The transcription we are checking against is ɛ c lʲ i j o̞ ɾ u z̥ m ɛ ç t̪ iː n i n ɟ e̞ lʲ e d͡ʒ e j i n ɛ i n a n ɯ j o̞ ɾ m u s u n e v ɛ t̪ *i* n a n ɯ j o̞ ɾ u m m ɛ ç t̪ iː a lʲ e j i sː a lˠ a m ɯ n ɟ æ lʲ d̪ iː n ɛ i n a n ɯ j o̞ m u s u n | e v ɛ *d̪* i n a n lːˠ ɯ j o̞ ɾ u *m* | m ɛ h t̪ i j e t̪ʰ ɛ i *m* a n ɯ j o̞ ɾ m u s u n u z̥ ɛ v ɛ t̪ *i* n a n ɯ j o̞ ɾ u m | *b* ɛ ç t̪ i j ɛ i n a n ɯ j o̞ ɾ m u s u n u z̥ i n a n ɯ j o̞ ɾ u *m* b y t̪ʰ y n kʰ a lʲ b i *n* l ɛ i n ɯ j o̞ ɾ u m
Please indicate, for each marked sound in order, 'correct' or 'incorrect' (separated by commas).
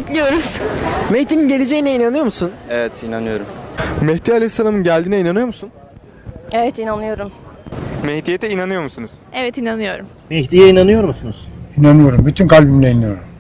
correct, incorrect, correct, incorrect, correct, incorrect, correct, incorrect